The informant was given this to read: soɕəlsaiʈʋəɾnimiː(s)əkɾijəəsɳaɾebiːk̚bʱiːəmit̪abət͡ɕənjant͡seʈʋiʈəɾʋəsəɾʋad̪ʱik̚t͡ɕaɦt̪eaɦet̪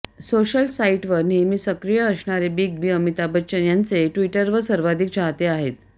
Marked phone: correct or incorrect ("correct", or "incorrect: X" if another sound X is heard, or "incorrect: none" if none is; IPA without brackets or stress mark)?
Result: correct